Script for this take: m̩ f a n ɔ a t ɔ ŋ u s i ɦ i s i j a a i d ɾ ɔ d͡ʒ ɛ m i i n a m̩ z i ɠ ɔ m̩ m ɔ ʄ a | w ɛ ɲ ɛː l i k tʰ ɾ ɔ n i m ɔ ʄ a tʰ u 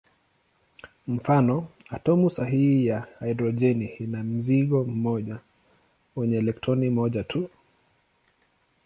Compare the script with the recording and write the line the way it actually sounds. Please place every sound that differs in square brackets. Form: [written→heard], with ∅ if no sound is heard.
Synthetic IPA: m̩ f a n ɔ a t ɔ [ŋ→m] u s [i→a] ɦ i [s→h] i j a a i d ɾ ɔ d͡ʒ ɛ [m→n] i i n a m̩ z i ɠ ɔ m̩ m ɔ ʄ a | w ɛ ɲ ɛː l [i→ɛ] k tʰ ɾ ɔ n i m ɔ ʄ a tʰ u